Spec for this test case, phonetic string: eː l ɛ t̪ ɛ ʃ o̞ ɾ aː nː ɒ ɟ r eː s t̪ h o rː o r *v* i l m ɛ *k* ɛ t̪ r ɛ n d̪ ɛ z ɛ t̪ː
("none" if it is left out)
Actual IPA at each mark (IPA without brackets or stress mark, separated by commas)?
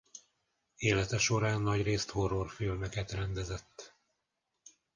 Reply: f, k